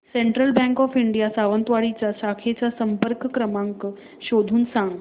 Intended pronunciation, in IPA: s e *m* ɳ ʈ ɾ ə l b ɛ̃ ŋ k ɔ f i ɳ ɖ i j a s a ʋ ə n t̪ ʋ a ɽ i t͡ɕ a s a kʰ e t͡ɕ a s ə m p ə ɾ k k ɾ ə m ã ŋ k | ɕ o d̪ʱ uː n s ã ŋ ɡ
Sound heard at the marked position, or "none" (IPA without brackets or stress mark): none